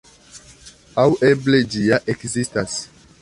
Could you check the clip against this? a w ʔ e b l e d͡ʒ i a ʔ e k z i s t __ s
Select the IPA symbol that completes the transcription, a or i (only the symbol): a